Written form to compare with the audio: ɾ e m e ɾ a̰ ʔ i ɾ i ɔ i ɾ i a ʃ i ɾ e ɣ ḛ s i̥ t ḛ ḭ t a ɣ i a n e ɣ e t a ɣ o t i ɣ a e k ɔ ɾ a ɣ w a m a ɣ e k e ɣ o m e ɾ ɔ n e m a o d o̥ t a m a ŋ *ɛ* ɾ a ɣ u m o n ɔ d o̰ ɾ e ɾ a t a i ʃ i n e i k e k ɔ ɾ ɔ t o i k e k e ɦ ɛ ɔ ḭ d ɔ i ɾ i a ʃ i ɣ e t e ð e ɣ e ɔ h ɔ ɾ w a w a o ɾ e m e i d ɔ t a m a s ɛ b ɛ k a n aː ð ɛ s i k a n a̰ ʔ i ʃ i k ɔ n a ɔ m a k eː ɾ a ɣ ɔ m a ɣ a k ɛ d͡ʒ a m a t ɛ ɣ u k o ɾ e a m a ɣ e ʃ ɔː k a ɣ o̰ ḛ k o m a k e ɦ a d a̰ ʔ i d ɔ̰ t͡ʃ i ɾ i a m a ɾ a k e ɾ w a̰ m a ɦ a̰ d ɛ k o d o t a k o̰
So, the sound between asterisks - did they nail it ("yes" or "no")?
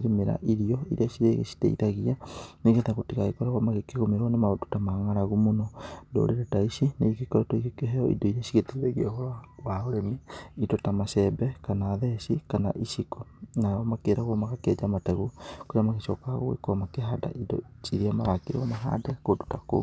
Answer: no